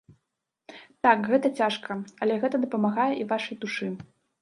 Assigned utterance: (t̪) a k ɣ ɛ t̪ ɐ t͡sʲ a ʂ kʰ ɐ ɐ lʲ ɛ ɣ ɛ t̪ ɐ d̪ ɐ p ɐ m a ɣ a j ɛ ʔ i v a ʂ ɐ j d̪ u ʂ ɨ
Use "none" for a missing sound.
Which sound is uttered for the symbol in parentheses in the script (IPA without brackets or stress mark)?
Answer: t̪